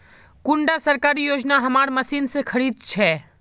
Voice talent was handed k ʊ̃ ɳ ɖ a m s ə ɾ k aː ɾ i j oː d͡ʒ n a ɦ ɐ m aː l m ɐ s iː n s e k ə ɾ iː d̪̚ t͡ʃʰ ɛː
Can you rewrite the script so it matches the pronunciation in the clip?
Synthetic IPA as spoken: k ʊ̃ ɳ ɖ a s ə ɾ k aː ɾ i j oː d͡ʒ n a ɦ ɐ m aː ɾ m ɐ s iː n s e kʰ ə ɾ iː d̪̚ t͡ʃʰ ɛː